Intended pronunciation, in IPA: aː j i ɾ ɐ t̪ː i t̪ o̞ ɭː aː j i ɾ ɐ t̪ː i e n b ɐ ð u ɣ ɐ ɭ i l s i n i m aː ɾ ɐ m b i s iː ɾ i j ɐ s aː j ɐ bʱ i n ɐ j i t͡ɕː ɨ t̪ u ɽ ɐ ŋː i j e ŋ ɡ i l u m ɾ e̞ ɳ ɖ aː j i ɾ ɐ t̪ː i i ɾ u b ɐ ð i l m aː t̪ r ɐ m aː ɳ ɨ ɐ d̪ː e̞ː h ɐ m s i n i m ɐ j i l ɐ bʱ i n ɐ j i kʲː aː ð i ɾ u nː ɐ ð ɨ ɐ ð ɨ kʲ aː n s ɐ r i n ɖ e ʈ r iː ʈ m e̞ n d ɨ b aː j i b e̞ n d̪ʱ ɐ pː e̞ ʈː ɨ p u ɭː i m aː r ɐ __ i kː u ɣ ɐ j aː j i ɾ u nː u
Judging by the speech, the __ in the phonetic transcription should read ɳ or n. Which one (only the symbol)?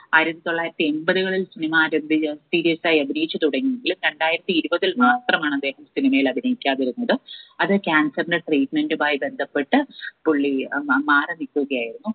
n